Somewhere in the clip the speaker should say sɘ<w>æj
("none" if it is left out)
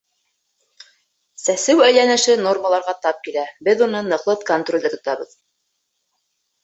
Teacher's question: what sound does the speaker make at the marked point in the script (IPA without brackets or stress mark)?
w